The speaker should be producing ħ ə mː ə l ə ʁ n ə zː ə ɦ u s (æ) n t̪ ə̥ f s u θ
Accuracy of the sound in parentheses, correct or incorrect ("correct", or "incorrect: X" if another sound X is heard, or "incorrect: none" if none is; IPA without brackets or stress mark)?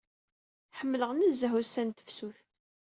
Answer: correct